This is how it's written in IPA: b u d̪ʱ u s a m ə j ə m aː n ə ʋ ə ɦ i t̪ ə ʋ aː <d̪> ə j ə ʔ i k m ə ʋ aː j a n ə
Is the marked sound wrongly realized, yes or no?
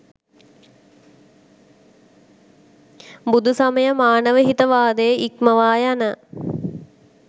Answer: no